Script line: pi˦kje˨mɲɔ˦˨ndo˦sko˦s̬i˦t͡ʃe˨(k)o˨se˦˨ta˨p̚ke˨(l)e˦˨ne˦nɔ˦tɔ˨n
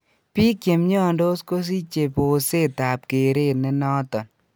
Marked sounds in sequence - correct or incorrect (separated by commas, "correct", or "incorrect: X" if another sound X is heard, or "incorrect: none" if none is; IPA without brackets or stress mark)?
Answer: incorrect: p, incorrect: ɾ